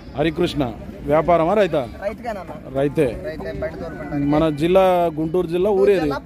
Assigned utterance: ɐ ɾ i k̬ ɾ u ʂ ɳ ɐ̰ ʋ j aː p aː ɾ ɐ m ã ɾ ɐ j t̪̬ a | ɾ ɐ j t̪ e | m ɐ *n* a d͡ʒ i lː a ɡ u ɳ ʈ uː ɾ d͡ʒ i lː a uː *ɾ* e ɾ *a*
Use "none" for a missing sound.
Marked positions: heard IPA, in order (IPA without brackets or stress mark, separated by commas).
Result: n, ɾ, i